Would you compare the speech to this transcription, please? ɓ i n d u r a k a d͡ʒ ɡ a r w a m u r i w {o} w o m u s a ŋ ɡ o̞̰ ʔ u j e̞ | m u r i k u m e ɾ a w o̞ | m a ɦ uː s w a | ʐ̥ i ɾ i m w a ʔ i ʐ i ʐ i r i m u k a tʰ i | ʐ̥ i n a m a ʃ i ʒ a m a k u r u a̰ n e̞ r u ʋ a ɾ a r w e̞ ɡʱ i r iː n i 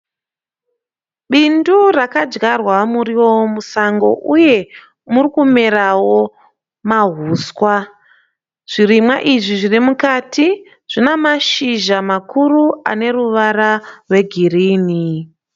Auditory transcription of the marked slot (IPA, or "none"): o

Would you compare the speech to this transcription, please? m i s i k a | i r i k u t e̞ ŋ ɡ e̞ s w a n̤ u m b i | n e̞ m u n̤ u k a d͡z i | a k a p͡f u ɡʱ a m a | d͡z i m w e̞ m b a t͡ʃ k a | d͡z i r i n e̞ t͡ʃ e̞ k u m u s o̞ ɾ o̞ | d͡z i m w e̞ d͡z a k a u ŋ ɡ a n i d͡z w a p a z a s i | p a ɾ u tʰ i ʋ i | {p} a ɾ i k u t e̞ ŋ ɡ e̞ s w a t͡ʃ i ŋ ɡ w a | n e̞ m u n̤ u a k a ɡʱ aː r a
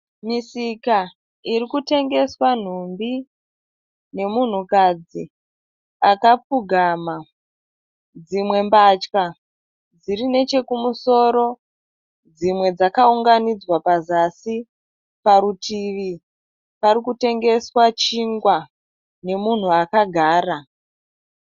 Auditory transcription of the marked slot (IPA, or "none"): p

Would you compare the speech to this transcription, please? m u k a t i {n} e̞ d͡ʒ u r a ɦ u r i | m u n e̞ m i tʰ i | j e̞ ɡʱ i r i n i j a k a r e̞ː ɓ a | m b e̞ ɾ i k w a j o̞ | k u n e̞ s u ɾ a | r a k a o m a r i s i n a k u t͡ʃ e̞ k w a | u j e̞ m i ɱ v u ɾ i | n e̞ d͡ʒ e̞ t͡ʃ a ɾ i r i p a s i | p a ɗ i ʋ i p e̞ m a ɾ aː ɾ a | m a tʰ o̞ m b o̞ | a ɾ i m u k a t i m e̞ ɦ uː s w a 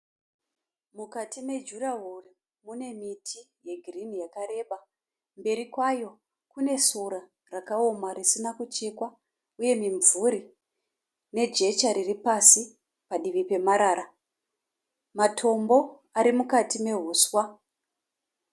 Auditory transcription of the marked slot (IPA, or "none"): m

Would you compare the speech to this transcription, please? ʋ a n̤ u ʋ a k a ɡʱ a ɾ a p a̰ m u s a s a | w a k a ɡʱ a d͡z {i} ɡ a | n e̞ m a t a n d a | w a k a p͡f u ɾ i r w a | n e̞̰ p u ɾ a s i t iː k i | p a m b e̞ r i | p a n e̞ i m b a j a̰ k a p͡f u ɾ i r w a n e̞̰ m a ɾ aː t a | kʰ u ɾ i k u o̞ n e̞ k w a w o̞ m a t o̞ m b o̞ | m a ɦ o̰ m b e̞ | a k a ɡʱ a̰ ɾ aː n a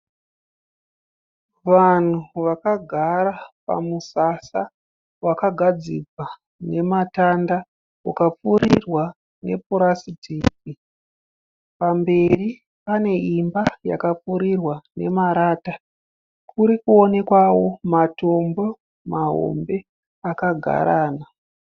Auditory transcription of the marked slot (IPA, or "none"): i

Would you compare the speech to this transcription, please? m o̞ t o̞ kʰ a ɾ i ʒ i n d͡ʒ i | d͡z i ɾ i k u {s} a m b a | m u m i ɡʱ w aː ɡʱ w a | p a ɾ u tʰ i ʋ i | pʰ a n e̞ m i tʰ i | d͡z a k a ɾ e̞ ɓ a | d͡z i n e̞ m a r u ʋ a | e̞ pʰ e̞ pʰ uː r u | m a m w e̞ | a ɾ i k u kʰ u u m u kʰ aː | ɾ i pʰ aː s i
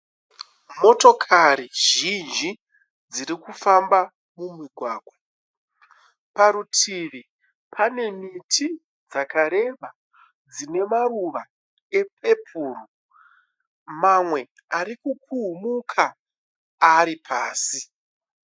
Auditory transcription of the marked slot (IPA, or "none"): f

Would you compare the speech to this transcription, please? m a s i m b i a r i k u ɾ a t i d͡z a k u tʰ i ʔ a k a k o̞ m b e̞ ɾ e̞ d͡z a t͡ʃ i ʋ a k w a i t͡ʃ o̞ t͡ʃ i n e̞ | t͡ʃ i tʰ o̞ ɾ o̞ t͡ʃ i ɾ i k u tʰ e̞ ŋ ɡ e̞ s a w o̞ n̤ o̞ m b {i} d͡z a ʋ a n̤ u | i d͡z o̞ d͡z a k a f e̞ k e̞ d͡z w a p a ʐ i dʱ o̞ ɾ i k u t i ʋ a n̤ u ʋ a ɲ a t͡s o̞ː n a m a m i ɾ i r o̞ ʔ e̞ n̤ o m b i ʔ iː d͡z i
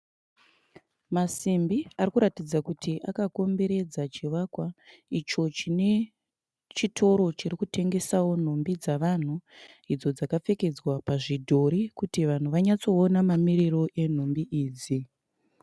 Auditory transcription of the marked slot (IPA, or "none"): i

